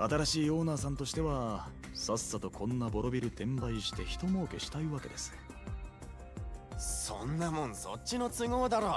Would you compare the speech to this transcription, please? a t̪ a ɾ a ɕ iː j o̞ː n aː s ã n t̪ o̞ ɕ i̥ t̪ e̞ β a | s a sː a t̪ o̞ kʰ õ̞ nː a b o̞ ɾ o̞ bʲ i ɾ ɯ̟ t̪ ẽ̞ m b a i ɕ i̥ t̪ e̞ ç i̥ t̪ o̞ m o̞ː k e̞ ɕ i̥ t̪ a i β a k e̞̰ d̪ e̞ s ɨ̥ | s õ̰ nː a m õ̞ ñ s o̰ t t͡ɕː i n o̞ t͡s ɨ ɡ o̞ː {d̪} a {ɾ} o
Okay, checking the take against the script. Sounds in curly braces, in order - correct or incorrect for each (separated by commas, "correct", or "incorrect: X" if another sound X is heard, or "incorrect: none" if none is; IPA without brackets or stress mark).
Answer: correct, correct